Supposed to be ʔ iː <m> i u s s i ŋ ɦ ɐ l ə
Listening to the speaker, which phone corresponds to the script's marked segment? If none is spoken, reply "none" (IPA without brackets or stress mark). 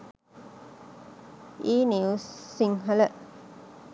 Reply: n